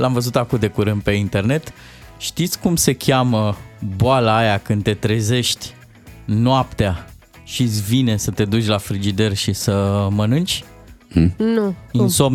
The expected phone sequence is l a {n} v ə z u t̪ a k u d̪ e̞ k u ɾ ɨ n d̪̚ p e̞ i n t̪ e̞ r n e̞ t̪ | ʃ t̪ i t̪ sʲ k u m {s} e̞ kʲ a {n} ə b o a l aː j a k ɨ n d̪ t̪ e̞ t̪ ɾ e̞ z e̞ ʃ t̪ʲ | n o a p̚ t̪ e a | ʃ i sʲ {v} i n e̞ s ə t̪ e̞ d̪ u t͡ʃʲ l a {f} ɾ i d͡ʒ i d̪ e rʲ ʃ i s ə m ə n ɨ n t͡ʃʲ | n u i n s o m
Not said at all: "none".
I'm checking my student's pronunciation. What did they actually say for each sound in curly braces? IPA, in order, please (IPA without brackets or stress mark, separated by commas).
m, s, m, v, f